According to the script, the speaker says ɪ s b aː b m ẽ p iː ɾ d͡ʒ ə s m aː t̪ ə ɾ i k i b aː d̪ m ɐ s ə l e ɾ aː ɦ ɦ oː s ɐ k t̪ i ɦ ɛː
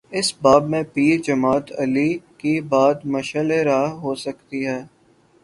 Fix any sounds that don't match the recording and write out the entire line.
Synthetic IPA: ɪ s b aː b m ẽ p iː ɾ d͡ʒ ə m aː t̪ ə l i k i b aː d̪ m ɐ ʃ ə l e ɾ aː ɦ ɦ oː s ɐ k t̪ i ɦ ɛː